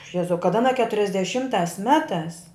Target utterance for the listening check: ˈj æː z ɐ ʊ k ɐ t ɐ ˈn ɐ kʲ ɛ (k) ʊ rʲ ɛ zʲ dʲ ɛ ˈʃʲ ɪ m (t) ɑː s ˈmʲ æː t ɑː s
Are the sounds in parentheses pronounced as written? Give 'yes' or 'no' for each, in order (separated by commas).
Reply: no, yes